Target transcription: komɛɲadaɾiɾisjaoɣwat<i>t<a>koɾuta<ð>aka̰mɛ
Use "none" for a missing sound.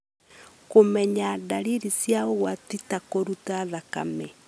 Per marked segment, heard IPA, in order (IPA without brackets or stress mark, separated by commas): i, a, ð